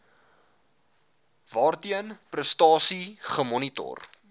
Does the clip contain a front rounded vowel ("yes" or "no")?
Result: no